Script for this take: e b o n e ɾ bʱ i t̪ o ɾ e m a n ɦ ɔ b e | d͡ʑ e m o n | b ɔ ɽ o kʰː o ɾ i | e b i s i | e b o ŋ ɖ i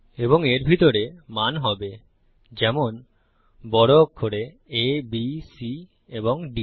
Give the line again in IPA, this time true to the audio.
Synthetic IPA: e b o ŋ e ɾ bʱ i t̪ o ɾ e m a n ɦ ɔ b e | d͡ʑ ɛ m o n | b ɔ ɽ o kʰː o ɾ e | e b i s i | e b o ŋ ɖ i